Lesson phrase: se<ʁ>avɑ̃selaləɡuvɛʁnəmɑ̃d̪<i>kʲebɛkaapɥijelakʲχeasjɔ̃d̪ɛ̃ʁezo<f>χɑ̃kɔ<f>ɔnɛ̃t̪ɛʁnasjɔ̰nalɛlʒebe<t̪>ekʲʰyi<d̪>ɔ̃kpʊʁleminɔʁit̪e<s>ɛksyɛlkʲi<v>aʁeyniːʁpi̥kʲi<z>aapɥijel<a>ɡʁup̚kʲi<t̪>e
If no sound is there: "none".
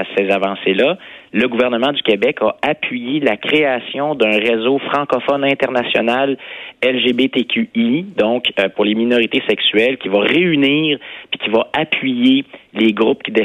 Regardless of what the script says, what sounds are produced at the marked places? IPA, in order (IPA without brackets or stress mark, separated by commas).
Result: z, y, f, f, t̪, d̪, s, v, v, e, d̪